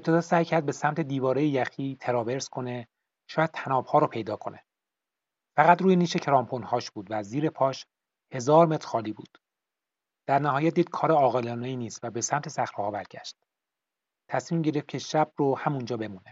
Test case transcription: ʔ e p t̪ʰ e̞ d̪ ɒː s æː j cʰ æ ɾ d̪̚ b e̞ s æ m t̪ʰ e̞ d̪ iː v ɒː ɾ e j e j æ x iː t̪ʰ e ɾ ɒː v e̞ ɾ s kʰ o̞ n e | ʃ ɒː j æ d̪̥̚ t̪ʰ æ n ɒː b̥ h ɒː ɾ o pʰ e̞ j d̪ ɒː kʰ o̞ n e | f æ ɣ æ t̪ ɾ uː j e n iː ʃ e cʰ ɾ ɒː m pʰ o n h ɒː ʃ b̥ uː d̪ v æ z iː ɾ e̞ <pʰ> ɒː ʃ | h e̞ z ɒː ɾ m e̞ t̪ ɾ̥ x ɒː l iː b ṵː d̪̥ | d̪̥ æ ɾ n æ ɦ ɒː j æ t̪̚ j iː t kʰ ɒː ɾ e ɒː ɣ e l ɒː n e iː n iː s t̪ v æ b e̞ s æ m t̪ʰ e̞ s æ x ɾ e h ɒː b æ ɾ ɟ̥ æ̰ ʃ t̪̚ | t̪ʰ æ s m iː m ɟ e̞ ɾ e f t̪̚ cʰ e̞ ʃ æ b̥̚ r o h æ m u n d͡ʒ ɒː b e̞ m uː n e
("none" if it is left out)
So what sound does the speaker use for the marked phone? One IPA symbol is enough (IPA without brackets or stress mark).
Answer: pʰ